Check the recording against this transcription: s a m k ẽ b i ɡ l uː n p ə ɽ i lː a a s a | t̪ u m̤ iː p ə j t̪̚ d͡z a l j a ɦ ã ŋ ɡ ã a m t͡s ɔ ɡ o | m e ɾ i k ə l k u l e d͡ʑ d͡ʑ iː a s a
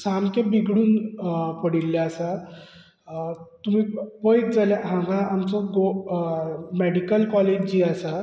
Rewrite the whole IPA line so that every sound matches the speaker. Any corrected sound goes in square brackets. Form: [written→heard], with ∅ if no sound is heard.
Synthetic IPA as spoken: s a m k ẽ b i ɡ [l→ɽ] uː n p ə ɽ i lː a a s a | t̪ u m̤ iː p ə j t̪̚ d͡z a l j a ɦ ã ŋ ɡ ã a m t͡s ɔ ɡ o | m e [ɾ→ɽ] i k ə l k [u→ɔ] l e d͡ʑ d͡ʑ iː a s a